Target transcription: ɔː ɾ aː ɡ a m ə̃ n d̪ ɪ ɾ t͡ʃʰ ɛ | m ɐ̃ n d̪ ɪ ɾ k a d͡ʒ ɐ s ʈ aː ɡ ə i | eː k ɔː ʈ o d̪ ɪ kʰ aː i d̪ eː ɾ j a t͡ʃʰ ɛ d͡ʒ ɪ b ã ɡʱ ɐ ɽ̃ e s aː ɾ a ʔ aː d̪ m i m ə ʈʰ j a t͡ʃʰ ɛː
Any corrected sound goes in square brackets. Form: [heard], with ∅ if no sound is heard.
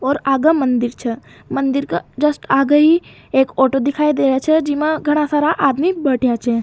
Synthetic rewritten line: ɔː ɾ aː ɡ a m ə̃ n d̪ ɪ ɾ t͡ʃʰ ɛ | m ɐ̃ n d̪ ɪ ɾ k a d͡ʒ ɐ s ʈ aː ɡ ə i | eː k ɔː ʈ o d̪ ɪ kʰ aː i d̪ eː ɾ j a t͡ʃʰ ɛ d͡ʒ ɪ [m] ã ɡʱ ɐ ɽ̃ [a] s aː ɾ a ʔ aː d̪ m i [b] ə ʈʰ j a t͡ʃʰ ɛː